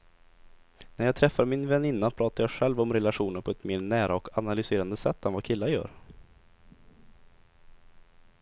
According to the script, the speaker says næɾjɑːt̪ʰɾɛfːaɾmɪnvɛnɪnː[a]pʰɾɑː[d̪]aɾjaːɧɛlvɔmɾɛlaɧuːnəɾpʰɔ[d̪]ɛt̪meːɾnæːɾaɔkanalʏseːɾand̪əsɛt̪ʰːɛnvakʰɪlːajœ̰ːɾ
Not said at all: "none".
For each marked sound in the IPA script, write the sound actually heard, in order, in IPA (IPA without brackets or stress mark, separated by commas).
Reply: a, t̪, none